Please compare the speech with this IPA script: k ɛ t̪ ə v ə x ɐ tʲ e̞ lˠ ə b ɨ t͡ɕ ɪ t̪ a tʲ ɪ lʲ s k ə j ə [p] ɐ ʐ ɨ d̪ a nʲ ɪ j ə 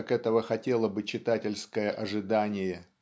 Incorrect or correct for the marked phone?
incorrect: ʔ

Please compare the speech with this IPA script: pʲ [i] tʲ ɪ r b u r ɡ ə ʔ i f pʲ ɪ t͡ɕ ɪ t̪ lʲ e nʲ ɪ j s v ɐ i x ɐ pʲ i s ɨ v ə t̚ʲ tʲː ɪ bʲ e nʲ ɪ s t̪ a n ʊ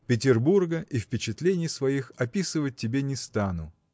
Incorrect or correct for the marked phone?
incorrect: ɪ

